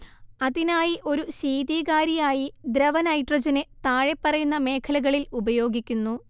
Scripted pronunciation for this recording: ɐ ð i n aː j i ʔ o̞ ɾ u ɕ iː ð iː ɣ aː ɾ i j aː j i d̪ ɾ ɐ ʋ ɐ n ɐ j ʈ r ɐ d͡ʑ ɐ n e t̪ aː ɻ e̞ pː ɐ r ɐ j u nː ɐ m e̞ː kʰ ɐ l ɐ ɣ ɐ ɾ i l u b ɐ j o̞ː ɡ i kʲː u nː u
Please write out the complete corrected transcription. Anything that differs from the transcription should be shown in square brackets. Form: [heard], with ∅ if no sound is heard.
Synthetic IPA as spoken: ɐ ð i n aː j i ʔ o̞ ɾ u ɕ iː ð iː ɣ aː ɾ i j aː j i d̪ ɾ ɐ ʋ ɐ n ɐ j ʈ r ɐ d͡ʑ ɐ n e t̪ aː ɻ e̞ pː ɐ r ɐ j u nː ɐ m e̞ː kʰ ɐ l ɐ ɣ ɐ [ɭ] i l u b ɐ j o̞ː ɡ i kʲː u nː u